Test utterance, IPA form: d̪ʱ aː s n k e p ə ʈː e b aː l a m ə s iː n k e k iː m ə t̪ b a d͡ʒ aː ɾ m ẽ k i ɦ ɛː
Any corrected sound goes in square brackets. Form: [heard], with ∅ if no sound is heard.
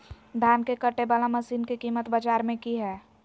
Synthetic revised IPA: d̪ʱ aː [∅] n k e [k] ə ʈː e b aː l a m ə s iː n k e k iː m ə t̪ b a d͡ʒ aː ɾ m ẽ k i ɦ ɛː